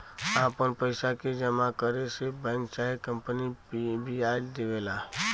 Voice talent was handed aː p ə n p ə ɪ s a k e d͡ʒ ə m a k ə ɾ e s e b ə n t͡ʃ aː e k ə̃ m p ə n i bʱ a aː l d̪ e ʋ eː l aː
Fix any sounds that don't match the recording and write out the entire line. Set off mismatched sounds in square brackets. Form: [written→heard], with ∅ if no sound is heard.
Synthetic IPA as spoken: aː p ə n p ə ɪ s a k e d͡ʒ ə m a k ə ɾ e s e b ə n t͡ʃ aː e k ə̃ m p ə n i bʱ [a→i] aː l d̪ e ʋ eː l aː